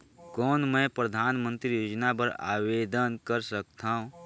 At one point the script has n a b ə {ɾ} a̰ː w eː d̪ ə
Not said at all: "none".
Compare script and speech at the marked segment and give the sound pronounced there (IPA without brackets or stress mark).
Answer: ɾ